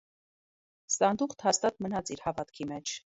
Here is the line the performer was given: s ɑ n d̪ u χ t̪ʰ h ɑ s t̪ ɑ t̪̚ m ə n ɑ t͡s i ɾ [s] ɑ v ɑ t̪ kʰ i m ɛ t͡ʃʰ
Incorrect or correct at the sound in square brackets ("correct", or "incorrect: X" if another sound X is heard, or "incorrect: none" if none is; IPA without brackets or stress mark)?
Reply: incorrect: h